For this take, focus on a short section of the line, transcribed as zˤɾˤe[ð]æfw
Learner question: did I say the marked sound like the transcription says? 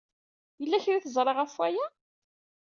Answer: no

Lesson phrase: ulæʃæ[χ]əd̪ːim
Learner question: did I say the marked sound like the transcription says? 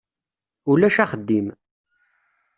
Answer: yes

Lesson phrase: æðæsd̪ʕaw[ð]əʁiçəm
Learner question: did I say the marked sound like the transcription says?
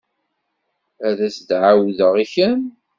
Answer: yes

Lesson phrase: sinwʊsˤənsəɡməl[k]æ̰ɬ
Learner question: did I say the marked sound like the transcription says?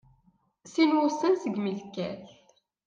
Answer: yes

